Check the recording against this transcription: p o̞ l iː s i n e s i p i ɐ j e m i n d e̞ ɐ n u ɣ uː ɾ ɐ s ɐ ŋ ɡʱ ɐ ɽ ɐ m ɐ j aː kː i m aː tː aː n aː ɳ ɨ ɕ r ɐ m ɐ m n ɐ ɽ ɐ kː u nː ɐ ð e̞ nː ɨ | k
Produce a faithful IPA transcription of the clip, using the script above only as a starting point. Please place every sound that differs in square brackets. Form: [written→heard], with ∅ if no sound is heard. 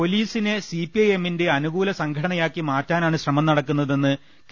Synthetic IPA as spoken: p o̞ l iː s i n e s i p i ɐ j e m i n d e̞ ɐ n u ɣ uː [ɾ→l] ɐ s ɐ ŋ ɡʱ ɐ ɽ ɐ [m→ɳ] ɐ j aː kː i m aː tː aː n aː ɳ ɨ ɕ r ɐ m ɐ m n ɐ ɽ ɐ kː u nː ɐ ð e̞ nː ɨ | k